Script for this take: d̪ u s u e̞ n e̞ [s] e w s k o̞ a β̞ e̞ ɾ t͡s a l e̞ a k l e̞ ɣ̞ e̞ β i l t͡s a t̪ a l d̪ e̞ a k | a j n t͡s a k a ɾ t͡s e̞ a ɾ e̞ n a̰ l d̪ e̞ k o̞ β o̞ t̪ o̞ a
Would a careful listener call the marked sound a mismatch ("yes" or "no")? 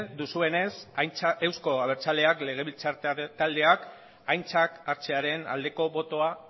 no